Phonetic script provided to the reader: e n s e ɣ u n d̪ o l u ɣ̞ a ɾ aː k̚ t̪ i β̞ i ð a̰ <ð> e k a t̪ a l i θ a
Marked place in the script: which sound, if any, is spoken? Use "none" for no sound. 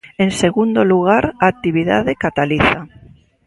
ð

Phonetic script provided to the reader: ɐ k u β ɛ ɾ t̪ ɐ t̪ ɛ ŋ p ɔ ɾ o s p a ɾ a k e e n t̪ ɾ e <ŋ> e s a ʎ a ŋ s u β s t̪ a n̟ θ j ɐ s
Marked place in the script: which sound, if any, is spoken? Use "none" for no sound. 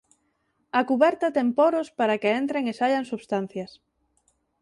ŋ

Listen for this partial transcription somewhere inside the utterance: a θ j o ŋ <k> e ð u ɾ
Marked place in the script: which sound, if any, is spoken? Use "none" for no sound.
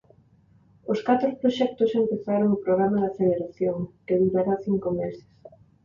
k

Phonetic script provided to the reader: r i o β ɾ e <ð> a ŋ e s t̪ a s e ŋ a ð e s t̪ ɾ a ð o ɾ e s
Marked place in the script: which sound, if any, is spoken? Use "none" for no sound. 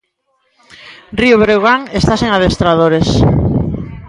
ɣ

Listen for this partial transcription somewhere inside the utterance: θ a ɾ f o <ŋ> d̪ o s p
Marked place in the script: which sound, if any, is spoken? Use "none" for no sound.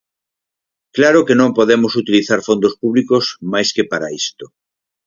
n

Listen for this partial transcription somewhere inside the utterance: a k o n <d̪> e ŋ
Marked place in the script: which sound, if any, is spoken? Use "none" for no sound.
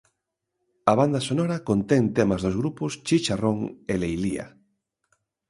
t̪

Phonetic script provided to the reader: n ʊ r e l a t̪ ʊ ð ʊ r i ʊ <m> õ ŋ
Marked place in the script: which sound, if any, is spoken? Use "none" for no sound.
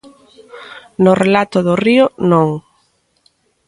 n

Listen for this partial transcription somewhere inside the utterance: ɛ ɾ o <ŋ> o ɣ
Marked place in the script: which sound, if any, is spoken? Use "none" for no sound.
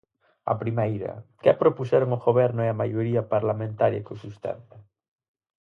ŋ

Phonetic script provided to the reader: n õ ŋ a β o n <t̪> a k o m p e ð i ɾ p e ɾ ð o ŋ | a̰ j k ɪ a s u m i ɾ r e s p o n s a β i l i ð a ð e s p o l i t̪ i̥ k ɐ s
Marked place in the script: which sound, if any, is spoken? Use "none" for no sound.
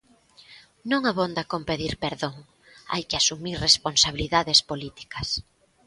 d̪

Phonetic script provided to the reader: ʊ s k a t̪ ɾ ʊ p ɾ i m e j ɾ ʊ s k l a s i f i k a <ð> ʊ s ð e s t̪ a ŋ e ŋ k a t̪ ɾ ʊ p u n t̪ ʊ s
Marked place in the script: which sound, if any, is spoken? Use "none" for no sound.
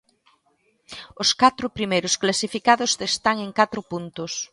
ð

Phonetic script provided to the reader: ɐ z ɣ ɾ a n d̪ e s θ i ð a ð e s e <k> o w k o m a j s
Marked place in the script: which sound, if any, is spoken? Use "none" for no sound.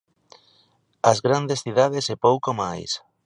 p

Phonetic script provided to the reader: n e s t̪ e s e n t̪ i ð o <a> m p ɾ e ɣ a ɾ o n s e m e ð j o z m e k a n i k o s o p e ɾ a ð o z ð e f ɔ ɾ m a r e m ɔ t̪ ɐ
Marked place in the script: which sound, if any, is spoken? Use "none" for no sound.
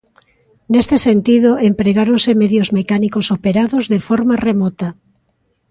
e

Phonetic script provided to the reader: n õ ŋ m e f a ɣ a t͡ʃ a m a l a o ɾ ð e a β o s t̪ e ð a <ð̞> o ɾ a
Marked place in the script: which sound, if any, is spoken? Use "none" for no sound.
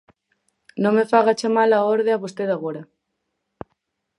ɣ̞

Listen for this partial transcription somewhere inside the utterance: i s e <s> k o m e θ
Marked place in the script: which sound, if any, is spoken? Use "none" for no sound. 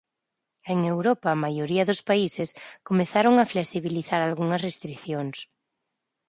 s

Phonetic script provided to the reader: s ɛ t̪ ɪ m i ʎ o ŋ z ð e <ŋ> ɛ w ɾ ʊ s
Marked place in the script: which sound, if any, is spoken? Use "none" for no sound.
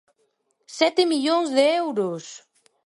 none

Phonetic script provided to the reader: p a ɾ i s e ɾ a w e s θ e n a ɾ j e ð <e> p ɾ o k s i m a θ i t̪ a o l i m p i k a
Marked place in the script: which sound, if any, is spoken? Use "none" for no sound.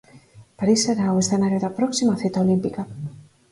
a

